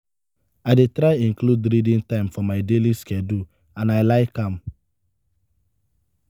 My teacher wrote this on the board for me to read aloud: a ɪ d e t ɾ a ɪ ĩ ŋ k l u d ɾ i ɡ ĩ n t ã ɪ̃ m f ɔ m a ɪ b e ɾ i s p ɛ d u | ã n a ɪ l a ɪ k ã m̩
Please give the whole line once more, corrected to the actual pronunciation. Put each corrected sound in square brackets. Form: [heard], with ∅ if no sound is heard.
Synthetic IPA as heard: a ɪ d e t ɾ a ɪ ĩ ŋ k l u d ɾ i [d] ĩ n t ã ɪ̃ m f ɔ m a ɪ [d] e [l] i s [k] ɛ d u | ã n a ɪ l a ɪ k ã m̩